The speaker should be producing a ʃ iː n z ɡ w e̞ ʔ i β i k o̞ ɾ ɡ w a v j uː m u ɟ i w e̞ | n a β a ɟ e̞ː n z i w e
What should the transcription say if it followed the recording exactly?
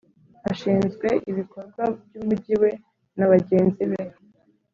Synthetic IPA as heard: a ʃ iː n z ɡ w e̞ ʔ i β i k o̞ ɾ ɡ w a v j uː m u ɟ i w e̞ | n a β a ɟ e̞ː n z i β e